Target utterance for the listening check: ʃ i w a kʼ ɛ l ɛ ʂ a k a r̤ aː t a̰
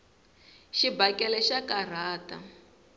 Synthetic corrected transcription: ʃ i b a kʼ ɛ l ɛ ʃ a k a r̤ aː t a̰